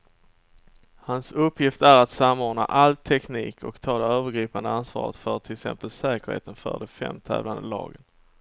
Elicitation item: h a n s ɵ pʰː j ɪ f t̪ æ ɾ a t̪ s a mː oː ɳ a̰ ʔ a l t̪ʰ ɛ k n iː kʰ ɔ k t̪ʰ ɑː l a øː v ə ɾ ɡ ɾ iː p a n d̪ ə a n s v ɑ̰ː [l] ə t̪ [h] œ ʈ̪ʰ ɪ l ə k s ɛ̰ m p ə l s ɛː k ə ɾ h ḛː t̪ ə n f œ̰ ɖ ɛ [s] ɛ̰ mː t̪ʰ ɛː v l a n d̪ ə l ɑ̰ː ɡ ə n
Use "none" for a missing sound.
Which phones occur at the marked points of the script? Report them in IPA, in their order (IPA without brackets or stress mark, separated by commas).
ɾ, f, f